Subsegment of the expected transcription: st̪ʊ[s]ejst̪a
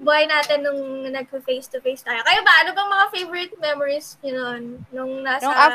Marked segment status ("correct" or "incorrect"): incorrect